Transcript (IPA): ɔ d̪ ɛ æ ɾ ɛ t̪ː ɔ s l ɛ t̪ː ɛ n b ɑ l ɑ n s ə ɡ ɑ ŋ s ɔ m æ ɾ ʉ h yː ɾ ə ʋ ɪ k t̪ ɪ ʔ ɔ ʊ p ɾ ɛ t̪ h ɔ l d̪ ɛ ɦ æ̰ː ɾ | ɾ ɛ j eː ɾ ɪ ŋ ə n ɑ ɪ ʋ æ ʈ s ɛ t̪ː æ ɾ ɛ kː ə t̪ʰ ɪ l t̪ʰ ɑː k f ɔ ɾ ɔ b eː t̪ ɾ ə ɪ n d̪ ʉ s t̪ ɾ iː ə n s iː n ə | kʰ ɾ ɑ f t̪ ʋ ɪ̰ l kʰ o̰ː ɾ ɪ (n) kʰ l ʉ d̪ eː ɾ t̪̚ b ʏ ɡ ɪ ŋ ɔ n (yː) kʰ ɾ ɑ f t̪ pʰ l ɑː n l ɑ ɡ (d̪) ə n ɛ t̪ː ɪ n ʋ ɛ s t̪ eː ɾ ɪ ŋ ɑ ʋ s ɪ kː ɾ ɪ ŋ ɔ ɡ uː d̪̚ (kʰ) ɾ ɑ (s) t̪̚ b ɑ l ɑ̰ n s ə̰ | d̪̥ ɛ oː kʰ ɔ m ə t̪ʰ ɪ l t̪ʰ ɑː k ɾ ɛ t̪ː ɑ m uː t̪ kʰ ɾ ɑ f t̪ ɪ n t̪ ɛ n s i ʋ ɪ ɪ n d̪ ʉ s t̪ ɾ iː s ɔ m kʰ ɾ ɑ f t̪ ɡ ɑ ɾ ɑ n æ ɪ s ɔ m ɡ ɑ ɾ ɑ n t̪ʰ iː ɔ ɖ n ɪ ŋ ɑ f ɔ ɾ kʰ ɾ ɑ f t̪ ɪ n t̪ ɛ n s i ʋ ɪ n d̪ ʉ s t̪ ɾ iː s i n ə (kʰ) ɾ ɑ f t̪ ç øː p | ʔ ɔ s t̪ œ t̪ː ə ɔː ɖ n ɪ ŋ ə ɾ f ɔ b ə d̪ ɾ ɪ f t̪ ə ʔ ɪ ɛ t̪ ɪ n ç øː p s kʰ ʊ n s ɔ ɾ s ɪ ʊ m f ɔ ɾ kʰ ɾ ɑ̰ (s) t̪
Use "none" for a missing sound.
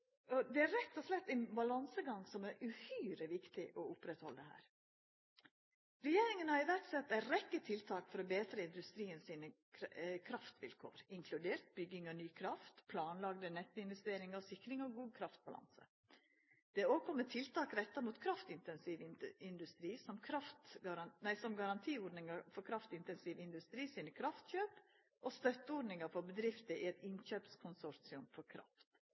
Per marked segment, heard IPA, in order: ŋ, yː, d̪, kʰ, f, kʰ, f

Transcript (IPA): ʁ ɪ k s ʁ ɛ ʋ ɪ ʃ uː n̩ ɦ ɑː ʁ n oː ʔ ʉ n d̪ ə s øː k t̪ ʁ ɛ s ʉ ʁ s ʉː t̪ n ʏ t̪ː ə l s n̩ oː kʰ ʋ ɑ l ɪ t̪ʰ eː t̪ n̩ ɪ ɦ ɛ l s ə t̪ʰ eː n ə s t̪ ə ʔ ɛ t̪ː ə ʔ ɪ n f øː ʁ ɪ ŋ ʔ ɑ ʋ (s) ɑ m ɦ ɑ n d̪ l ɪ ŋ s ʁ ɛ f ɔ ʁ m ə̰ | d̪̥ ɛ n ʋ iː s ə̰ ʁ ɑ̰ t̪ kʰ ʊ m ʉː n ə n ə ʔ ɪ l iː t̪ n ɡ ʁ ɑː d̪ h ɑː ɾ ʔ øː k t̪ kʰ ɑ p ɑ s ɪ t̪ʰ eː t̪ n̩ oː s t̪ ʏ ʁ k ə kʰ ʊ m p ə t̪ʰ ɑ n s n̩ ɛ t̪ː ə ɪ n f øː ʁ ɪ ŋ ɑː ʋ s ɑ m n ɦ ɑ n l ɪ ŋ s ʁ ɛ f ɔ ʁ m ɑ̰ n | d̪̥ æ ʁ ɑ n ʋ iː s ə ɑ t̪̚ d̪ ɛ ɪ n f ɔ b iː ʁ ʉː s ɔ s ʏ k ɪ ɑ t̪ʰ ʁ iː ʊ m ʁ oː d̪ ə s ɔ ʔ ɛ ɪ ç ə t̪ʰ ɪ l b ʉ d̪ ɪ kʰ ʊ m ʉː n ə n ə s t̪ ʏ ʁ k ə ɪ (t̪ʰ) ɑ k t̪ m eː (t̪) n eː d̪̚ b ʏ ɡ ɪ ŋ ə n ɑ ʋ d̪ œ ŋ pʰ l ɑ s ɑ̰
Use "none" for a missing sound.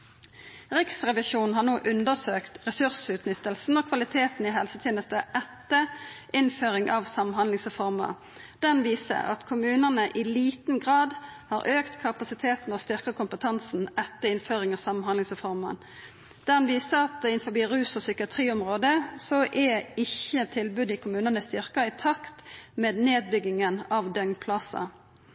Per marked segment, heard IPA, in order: s, t̪ʰ, d̪

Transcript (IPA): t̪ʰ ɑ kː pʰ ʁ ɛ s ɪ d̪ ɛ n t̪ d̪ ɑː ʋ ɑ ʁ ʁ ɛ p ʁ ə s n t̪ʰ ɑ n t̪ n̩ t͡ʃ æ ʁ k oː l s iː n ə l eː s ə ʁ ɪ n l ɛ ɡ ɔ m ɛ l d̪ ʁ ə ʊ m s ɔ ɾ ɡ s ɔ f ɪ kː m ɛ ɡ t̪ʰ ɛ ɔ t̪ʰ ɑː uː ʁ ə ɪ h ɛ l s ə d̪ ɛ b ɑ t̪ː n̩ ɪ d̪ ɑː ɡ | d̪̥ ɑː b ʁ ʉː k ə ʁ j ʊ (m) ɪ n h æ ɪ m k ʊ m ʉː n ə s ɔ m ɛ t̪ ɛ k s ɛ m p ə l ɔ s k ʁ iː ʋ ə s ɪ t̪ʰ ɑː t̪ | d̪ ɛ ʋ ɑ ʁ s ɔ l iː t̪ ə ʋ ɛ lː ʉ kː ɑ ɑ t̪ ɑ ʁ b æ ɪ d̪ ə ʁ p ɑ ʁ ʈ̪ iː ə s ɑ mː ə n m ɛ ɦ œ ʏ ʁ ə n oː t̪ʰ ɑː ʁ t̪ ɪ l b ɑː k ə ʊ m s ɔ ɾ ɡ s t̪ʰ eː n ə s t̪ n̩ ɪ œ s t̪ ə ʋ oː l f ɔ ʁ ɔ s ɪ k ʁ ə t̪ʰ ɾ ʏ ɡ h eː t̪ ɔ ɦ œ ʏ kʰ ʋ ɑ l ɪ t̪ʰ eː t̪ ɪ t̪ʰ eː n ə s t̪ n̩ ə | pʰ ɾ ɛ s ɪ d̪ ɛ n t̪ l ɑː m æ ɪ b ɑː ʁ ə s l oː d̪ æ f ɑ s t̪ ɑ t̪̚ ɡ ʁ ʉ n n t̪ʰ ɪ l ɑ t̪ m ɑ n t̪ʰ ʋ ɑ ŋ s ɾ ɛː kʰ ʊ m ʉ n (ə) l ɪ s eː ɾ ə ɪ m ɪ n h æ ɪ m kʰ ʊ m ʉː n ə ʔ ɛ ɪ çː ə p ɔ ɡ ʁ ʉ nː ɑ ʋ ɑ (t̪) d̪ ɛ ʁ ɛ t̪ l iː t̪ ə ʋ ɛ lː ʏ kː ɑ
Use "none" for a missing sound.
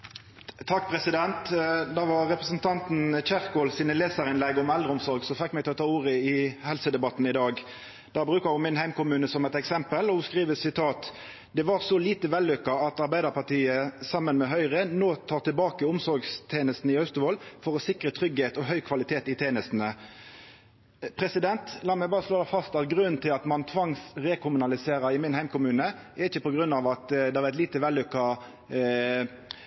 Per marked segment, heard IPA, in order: m, ɑ, t̪

